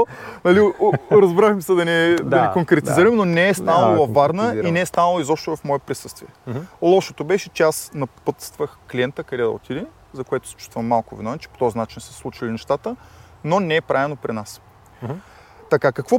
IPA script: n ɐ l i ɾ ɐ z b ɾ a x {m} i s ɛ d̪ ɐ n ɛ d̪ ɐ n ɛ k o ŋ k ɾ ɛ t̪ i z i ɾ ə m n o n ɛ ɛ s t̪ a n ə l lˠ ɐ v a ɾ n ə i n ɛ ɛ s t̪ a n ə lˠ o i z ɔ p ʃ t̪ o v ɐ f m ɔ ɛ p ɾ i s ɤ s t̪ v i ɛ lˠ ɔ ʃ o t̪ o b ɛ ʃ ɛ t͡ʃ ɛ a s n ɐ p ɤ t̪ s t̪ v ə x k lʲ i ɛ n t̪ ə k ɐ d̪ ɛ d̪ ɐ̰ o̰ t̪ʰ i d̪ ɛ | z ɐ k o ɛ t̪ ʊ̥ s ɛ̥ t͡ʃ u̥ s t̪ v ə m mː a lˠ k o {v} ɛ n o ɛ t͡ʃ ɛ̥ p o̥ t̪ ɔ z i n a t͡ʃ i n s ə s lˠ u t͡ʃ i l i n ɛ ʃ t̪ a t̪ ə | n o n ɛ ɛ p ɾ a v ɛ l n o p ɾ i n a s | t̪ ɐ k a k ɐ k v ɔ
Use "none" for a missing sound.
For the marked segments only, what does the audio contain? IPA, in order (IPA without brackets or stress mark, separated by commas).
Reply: m, v